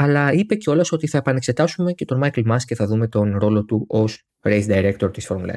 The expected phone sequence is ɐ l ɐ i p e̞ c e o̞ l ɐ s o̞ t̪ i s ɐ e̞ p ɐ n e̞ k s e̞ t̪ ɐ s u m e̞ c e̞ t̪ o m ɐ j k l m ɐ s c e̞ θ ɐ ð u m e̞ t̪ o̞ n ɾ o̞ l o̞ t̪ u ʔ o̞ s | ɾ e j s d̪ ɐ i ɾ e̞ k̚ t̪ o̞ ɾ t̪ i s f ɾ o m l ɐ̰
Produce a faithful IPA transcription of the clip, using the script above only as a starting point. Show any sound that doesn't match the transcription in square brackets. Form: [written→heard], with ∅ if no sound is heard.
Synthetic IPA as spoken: ɐ l ɐ i p e̞ c e o̞ l ɐ s o̞ t̪ i [s→θ] ɐ e̞ p ɐ n e̞ k s e̞ t̪ ɐ s u m e̞ c e̞ t̪ o m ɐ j k l m ɐ s c e̞ θ ɐ ð u m e̞ t̪ o̞ n ɾ o̞ l o̞ t̪ u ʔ o̞ s | ɾ e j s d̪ ɐ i ɾ e̞ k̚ t̪ o̞ ɾ t̪ i s f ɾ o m l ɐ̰